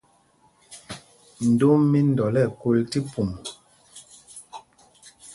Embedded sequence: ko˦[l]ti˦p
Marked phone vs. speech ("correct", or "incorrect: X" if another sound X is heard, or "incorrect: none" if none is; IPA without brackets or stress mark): correct